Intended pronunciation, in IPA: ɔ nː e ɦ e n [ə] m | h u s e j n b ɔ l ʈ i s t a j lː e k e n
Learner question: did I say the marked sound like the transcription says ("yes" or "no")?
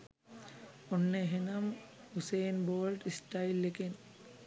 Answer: no